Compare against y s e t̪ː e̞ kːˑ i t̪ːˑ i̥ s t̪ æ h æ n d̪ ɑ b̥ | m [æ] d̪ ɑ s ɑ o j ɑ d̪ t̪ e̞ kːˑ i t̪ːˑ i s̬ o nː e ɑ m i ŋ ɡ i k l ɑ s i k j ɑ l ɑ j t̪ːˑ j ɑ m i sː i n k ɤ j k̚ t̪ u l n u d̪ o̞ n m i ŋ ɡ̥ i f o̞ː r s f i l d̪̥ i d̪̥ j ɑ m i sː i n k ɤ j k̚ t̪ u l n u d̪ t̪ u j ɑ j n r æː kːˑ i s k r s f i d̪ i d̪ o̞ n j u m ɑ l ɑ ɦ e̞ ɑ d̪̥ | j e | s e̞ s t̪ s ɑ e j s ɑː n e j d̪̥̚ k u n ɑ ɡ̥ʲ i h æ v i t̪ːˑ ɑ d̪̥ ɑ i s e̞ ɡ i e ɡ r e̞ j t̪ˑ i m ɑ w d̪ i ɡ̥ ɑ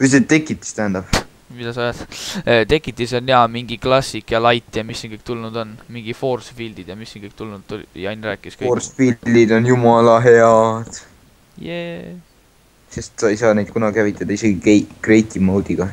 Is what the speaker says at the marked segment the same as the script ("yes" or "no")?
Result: no